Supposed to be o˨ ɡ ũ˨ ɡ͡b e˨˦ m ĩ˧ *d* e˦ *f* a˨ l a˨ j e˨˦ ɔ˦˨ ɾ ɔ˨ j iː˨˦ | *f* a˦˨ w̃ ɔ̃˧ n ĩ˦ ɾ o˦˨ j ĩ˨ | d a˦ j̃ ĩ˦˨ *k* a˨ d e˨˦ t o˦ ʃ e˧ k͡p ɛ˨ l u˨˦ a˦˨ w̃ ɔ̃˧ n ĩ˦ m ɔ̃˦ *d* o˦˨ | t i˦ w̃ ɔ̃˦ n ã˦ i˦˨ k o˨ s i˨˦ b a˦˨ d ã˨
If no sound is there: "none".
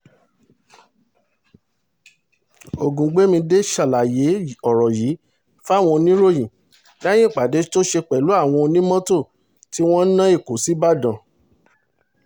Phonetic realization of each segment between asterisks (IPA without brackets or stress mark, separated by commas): d, ʃ, f, k͡p, t